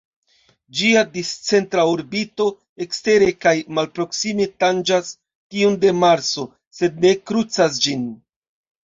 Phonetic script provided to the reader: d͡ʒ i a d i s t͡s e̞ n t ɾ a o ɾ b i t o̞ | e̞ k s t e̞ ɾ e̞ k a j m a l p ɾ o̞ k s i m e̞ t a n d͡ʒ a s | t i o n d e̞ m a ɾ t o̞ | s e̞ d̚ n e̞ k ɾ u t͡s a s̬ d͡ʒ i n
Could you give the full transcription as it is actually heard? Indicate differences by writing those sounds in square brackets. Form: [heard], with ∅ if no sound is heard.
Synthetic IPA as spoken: d͡ʒ i a d i s t͡s e̞ n t ɾ a o ɾ b i t o̞ | e̞ k s t e̞ ɾ e̞ k a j m a l p ɾ o̞ k s i m e̞ t a n d͡ʒ a s | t i [u] n d e̞ m a ɾ [t͡s] o̞ | s e̞ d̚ n e̞ k ɾ u t͡s a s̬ d͡ʒ i n